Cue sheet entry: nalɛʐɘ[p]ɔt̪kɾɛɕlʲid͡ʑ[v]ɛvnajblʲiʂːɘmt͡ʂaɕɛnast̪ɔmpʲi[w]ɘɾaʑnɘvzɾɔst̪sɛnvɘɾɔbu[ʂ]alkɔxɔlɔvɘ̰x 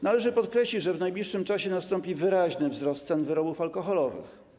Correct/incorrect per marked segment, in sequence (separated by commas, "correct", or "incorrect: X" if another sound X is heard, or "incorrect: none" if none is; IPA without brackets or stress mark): correct, incorrect: ʐ, incorrect: v, incorrect: f